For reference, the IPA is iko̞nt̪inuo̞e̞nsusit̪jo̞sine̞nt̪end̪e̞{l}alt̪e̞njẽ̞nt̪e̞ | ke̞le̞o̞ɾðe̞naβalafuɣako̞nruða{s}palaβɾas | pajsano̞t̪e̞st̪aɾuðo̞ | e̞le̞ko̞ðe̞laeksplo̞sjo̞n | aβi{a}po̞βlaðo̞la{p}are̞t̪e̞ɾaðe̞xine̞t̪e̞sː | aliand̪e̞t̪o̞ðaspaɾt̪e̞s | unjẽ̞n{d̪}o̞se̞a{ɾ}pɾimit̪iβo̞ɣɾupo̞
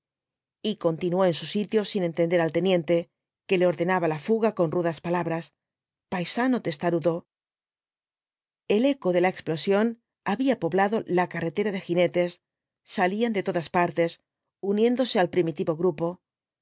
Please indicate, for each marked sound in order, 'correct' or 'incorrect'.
incorrect: ɾ, correct, correct, incorrect: k, correct, incorrect: l

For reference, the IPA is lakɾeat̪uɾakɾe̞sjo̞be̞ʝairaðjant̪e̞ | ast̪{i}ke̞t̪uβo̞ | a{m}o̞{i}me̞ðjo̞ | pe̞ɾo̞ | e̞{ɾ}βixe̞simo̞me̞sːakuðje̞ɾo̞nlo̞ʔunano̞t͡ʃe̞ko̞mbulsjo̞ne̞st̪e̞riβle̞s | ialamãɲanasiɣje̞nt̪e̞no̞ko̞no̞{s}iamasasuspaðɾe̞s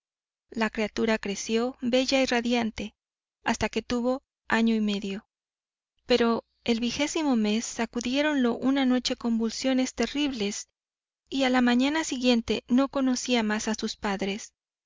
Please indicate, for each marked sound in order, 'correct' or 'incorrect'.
incorrect: a, incorrect: ɲ, correct, incorrect: l, correct

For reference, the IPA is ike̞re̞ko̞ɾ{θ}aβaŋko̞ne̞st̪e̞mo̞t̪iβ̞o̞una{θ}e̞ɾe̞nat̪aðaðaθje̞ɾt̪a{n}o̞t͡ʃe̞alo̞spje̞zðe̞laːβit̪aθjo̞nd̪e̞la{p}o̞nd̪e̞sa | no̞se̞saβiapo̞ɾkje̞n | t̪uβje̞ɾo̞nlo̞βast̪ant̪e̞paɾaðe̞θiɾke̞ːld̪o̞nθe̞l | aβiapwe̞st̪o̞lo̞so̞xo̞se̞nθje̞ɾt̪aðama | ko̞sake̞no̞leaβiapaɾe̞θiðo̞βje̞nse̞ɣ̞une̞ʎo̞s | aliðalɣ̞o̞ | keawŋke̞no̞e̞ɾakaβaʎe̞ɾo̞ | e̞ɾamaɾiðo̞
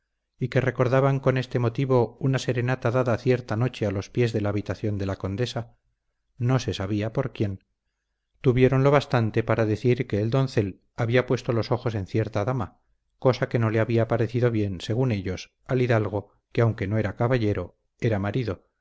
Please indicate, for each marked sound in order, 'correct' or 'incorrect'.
incorrect: ð, incorrect: s, correct, incorrect: k

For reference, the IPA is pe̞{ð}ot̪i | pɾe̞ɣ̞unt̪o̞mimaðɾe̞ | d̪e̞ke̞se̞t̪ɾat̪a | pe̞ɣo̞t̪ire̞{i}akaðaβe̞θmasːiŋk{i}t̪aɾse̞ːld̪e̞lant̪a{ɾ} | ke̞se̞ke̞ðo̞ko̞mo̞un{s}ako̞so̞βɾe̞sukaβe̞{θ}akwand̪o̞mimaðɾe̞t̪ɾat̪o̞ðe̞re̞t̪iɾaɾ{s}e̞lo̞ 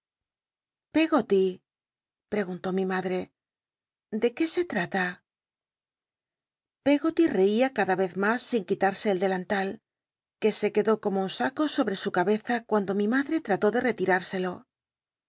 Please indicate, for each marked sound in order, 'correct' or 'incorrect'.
incorrect: ɣ, correct, correct, incorrect: l, correct, correct, correct

